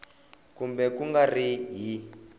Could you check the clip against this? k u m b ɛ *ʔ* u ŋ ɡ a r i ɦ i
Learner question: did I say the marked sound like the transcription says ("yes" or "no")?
no